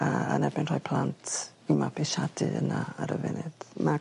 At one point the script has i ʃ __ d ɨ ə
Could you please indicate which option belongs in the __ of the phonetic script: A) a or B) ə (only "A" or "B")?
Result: A